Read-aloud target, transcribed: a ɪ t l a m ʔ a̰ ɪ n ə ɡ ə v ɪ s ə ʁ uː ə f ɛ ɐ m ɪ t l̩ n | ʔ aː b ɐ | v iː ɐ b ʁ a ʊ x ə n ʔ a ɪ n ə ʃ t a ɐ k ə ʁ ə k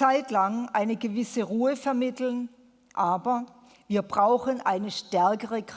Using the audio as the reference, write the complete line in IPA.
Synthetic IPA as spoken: a ɪ t l a ŋ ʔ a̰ ɪ n ə ɡ ə v ɪ s ə ʁ uː ə f ɛ ɐ m ɪ t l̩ n | ʔ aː b ɐ | v iː ɐ b ʁ a ʊ x ə n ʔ a ɪ n ə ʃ t ɛ ɐ k ə ʁ ə k